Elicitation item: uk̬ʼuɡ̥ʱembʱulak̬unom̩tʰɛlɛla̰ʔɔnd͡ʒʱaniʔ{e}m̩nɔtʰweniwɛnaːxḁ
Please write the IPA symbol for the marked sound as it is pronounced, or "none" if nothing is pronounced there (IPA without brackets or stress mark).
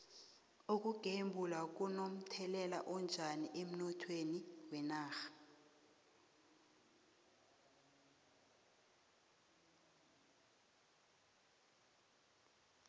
e